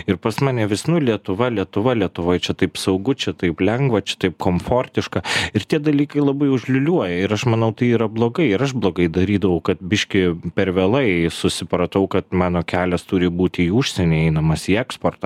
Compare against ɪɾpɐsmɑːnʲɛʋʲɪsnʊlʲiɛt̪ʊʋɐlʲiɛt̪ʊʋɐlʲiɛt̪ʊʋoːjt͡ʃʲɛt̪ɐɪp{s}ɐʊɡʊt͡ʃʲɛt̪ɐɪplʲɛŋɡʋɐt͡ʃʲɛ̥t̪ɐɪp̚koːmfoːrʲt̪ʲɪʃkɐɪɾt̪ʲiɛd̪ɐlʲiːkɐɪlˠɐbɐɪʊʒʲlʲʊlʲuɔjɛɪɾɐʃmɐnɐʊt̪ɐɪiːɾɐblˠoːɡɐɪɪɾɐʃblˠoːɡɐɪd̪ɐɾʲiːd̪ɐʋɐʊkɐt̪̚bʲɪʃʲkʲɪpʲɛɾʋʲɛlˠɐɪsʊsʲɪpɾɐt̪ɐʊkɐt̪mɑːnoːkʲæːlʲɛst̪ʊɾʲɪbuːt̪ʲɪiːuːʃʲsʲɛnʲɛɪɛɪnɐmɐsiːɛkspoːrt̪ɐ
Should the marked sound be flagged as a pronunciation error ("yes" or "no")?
no